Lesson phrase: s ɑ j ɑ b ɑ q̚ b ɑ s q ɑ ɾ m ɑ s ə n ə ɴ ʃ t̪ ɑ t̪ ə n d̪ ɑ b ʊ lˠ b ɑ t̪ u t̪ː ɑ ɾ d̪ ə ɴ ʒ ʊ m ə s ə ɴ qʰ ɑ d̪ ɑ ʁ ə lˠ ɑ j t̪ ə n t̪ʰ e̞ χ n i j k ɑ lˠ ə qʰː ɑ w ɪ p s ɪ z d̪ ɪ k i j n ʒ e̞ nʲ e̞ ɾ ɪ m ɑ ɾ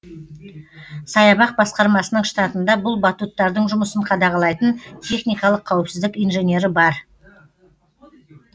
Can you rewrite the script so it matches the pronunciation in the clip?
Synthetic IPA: s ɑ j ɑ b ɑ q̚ b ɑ s q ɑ ɾ m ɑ s ə n ə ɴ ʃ t̪ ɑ t̪ ə n d̪ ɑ b ʊ lˠ b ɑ t̪ u t̪ː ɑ ɾ d̪ ə ɴ ʒ ʊ m ə s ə ɴ qʰ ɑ d̪ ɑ ʁ ɑ lˠ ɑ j t̪ ə n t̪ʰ e̞ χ n i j k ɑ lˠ ə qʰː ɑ w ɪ p s ɪ z d̪ ɪ k i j n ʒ e̞ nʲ e̞ ɾ ɪ b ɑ ɾ